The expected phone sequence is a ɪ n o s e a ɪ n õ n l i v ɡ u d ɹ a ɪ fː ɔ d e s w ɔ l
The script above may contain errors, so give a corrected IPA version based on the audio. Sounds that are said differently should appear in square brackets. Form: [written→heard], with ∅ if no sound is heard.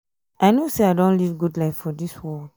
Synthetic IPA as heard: a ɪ n o s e a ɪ [n→d] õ n l i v ɡ u d [ɹ→l] a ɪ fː ɔ d [e→i] s w ɔ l

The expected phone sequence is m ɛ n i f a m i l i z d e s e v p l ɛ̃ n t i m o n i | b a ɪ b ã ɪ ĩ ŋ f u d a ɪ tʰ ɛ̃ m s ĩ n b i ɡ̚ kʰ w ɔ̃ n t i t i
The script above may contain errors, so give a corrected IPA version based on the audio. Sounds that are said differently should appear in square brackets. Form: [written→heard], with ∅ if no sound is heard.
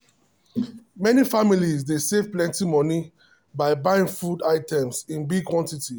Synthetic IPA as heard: m ɛ n i f a m i l i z d e s e v p l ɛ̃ n t i m [o→ɔ] n i | b a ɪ b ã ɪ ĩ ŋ f u d a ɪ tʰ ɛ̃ m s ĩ n b i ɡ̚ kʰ w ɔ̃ n t i t i

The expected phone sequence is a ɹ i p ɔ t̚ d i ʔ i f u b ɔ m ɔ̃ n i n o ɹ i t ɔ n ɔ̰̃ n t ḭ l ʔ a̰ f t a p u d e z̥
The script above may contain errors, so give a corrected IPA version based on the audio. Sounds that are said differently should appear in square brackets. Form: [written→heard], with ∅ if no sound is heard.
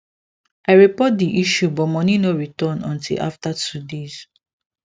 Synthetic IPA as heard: a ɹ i p ɔ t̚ d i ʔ i [f→ʃ] u b ɔ m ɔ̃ n i n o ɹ i t ɔ n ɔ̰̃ n t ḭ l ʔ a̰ f t a [p→t] u d e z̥

